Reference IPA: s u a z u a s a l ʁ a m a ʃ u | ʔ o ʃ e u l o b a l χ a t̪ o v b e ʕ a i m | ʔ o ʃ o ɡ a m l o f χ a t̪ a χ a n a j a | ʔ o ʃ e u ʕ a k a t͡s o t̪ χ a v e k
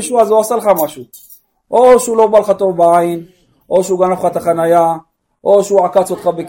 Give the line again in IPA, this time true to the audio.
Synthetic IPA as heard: ʃ u a z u a s a l χ a m a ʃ u | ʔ o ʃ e u l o b a l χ a t̪ o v b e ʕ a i n | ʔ o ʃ u ɡ a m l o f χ a t̪ a χ a n a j a | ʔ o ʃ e u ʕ a k a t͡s o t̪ χ a b e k